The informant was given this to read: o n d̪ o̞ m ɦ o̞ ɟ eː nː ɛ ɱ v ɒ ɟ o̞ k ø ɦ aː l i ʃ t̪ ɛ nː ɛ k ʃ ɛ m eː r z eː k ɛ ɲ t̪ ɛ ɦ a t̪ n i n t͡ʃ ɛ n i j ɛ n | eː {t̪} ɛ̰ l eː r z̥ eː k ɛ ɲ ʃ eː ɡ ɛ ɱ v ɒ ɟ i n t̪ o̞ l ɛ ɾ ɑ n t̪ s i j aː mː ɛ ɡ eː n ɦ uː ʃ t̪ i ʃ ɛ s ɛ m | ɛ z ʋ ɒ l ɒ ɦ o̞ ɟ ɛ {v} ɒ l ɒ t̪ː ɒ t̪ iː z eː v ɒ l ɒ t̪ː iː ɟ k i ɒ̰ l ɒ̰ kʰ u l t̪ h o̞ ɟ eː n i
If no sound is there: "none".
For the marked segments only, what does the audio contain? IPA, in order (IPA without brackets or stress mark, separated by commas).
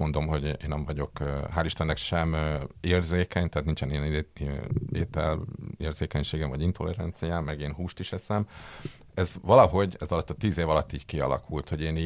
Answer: t̪, z